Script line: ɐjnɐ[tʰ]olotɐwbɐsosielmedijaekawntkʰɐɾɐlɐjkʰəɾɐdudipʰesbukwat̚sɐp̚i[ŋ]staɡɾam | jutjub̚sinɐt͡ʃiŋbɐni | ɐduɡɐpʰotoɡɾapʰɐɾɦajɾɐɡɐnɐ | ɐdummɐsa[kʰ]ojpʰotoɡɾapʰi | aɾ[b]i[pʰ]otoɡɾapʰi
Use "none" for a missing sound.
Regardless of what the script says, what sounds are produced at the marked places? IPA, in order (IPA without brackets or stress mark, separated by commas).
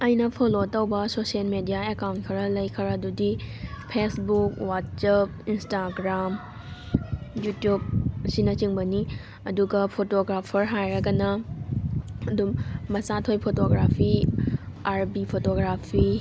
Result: pʰ, n, tʰ, b, pʰ